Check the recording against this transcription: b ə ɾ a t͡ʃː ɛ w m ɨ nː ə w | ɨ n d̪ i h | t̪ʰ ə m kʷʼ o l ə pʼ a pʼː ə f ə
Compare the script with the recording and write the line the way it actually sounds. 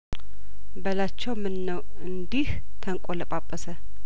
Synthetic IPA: b ə l a t͡ʃː ɛ w m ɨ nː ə w | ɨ n d̪ i h | t̪ʰ ə ŋ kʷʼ o l ə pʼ a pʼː ə s ə